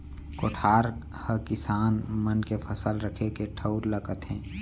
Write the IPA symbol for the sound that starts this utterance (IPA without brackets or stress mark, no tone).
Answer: k